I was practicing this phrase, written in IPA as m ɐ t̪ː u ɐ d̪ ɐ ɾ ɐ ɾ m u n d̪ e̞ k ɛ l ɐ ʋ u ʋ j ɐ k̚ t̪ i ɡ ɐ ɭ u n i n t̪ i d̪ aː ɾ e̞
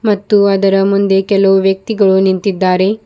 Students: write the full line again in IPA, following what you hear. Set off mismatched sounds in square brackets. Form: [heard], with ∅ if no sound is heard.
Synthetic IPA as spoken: m ɐ t̪ː u ɐ d̪ ɐ ɾ ɐ [∅] m u n d̪ e̞ k ɛ l ɐ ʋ u ʋ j ɐ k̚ t̪ i ɡ ɐ ɭ u n i n t̪ i [d̪ː] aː ɾ e̞